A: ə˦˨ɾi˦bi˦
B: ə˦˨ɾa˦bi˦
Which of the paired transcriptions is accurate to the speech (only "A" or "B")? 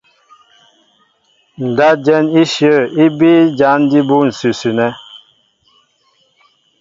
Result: A